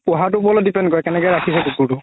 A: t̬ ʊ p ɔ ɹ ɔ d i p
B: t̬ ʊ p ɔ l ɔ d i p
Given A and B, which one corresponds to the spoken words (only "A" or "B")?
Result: B